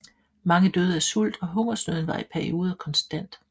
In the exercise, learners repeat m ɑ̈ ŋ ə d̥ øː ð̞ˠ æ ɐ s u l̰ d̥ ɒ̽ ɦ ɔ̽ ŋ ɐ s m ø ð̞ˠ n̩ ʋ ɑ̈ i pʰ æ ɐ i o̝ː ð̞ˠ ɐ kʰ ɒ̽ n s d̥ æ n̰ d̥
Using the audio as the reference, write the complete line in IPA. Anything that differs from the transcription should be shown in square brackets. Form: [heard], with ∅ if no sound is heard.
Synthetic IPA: m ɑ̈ ŋ ə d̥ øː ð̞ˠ æ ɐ s u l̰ d̥ ɒ̽ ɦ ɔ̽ ŋ ɐ s [n] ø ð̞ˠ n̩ ʋ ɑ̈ i pʰ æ ɐ i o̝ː ð̞ˠ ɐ kʰ ɒ̽ n s d̥ æ n̰ d̥